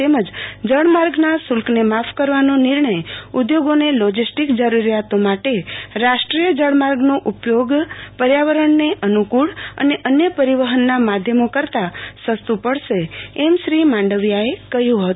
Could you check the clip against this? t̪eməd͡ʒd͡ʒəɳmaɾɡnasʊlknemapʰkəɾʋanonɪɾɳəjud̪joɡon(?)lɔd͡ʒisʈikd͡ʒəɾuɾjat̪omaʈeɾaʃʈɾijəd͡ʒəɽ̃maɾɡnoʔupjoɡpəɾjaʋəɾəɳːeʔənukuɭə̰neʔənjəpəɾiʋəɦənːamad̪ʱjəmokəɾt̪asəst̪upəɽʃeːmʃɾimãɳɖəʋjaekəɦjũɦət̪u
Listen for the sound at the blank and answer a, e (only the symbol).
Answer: e